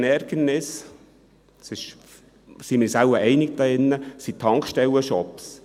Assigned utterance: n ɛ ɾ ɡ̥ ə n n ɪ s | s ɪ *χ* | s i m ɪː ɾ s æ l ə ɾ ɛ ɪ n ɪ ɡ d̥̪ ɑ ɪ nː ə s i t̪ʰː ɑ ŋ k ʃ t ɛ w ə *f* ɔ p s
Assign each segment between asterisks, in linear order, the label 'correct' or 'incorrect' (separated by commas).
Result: incorrect, incorrect